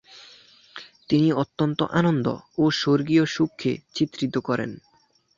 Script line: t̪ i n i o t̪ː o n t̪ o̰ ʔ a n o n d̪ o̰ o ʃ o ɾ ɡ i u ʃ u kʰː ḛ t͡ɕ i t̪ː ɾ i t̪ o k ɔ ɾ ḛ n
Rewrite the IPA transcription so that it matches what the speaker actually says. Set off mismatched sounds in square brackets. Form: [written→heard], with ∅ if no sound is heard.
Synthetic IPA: t̪ i n i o t̪ː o n t̪ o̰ ʔ a n o n d̪ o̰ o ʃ o ɾ ɡ i [u→o] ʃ u kʰː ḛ t͡ɕ i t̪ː ɾ i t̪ o k ɔ ɾ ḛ n